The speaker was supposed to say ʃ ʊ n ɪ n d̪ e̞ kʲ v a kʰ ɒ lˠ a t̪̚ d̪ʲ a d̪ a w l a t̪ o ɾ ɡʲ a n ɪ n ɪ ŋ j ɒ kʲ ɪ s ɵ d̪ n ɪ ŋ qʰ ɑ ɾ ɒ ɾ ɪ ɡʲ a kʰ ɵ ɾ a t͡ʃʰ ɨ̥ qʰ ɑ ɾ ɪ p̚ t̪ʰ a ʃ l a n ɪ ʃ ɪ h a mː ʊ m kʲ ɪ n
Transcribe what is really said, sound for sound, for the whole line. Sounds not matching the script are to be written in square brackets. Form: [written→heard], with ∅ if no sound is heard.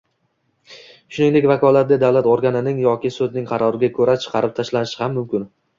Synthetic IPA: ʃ ʊ n ɪ [n→ŋ] d̪ e̞ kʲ v a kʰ ɒ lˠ a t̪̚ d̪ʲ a d̪ a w l a t̪ o ɾ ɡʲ a n ɪ n ɪ ŋ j ɒ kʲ ɪ s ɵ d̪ n ɪ ŋ qʰ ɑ ɾ ɒ ɾ ɪ ɡʲ a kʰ ɵ ɾ a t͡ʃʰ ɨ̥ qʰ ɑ ɾ ɪ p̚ t̪ʰ a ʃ l a n ɪ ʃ ɪ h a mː ʊ m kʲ ɪ n